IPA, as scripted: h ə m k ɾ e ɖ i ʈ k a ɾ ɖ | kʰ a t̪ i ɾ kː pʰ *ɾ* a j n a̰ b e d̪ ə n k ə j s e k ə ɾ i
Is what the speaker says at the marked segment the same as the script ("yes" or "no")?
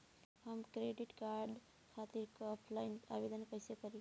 no